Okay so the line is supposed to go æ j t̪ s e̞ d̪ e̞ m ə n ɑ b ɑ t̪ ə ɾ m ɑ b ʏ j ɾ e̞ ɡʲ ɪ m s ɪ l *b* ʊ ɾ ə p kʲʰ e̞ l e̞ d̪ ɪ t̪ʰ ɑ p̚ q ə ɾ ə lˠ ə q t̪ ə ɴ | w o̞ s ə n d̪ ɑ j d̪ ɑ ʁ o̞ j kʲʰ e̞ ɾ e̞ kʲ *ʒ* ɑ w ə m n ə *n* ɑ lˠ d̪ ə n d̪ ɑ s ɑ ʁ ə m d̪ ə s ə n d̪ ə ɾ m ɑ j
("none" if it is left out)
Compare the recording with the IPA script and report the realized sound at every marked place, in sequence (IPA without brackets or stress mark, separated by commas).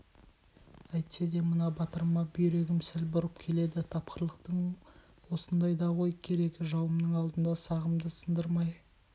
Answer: b, ʒ, ɴ